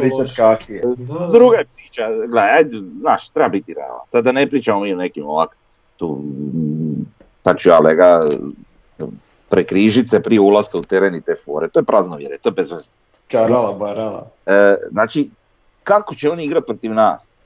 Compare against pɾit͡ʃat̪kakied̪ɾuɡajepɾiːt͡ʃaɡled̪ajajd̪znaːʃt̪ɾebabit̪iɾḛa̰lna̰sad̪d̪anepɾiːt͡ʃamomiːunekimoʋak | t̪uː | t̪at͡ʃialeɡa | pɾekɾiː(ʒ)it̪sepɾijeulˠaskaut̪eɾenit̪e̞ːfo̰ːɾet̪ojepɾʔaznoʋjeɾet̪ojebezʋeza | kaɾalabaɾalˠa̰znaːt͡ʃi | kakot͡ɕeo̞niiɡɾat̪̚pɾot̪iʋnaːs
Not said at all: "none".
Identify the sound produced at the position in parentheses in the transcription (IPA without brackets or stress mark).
ʒ